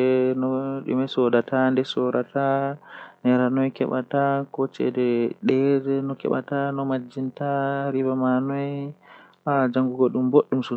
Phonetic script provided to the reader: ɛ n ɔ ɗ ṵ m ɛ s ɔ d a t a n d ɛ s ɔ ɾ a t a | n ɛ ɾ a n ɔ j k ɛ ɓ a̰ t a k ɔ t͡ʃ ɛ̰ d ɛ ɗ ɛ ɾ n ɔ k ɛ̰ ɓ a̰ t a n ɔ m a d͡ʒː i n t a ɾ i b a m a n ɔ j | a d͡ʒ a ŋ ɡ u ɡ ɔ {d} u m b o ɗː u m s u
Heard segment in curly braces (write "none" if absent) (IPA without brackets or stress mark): ɗ